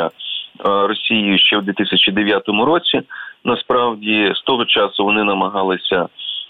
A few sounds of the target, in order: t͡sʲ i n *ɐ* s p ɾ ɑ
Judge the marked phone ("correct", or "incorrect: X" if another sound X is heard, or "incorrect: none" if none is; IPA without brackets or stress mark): correct